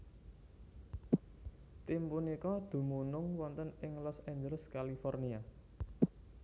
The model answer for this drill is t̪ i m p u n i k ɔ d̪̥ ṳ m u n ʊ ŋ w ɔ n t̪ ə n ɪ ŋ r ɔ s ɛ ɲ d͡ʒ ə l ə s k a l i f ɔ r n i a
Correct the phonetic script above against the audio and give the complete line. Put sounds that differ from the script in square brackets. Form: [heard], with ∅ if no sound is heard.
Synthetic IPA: t̪ i m p u n i k ɔ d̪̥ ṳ m u n ʊ ŋ w ɔ n t̪ ə n ɪ ŋ [l] ɔ s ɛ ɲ d͡ʒ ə l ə s k a l i f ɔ r n i a